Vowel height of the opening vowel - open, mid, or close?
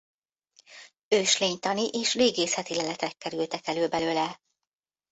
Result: mid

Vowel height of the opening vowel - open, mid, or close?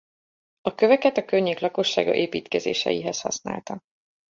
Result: open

